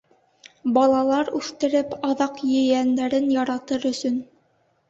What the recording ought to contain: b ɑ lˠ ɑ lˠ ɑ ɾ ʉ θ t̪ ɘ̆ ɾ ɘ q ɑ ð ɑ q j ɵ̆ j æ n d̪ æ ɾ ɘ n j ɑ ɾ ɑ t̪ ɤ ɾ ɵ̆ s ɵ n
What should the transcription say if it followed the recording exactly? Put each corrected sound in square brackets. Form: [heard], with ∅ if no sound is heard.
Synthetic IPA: b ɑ lˠ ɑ lˠ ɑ ɾ ʉ θ t̪ ɘ̆ ɾ ɘ [p] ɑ ð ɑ q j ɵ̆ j æ n d̪ æ ɾ ɘ n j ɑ ɾ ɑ t̪ ɤ ɾ ɵ̆ s ɵ n